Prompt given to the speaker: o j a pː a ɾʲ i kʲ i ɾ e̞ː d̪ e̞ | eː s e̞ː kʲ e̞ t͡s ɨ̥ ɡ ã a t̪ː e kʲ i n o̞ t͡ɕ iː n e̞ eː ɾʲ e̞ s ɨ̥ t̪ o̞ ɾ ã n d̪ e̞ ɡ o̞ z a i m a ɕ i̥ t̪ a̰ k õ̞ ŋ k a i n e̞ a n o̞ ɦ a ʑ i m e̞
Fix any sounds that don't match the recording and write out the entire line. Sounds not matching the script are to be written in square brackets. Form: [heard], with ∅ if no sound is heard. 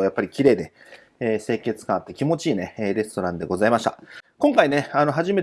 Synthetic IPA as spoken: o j a pː a ɾʲ i kʲ i ɾ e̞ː d̪ e̞ | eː s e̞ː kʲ e̞ t͡s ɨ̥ [k] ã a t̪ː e kʲ i [m] o̞ t͡ɕ iː n e̞ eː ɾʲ e̞ s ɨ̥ t̪ o̞ ɾ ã n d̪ e̞ ɡ o̞ z a i m a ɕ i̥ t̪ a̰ k õ̞ ŋ k a i n e̞ a n o̞ ɦ a ʑ i m e̞

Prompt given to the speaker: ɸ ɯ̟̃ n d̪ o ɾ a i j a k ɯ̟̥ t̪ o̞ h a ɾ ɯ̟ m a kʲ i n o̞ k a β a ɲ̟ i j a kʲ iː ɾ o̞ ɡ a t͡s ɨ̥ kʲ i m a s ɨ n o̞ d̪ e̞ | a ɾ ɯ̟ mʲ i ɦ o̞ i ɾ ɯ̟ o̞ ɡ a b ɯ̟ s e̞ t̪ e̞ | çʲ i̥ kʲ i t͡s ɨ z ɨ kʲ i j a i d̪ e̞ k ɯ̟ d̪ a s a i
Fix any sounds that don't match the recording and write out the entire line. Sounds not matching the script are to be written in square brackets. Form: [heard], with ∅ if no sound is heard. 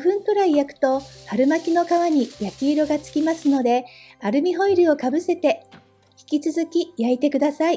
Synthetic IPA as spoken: ɸ ɯ̟̃ n [t̪] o ɾ a i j a k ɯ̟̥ t̪ o̞ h a ɾ ɯ̟ m a kʲ i n o̞ k a β a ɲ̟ i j a kʲ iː ɾ o̞ ɡ a t͡s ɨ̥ kʲ i m a s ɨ n o̞ d̪ e̞ | a ɾ ɯ̟ mʲ i ɦ o̞ i ɾ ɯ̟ o̞ [k] a b ɯ̟ s e̞ t̪ e̞ | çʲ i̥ kʲ i t͡s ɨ z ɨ kʲ i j a i [t̪] e̞ k ɯ̟ d̪ a s a i

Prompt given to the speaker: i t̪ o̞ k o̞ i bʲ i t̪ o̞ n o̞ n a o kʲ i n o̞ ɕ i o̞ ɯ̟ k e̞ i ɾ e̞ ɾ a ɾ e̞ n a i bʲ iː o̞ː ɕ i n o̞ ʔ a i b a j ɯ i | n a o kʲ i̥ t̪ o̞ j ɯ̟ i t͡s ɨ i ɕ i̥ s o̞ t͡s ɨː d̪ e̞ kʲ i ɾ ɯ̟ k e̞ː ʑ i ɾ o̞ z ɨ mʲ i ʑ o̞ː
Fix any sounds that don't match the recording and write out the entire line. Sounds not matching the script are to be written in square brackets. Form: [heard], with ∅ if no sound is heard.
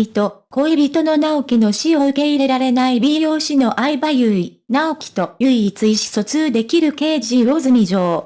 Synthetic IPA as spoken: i t̪ o̞ k o̞ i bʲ i t̪ o̞ n o̞ n a o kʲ i n o̞ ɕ i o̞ ɯ̟ k e̞ i ɾ e̞ ɾ a ɾ e̞ n a i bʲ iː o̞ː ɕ i n o̞ ʔ a i b a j ɯ i | n a o kʲ i̥ t̪ o̞ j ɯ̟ i t͡s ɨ i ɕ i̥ s o̞ t͡s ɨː d̪ e̞ kʲ i ɾ ɯ̟ k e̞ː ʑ i ɾ o̞ z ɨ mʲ i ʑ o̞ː

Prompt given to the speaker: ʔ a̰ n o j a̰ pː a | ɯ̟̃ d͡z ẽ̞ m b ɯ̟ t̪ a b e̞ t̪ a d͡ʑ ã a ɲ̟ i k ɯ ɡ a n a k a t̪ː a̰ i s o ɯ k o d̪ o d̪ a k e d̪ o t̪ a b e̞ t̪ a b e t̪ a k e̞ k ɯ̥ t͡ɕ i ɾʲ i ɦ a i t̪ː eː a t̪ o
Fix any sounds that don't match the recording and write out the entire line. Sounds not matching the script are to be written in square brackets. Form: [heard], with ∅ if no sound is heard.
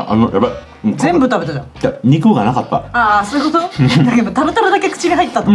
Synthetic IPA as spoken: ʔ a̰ n o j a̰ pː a | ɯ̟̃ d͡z ẽ̞ m b ɯ̟ t̪ a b e̞ t̪ a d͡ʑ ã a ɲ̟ i k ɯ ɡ a n a k a t̪ː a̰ [a] s o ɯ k o [t̪] o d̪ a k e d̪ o t̪ a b e̞ t̪ a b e [d̪] a k e̞ k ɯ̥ t͡ɕ i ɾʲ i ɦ a i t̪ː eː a t̪ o

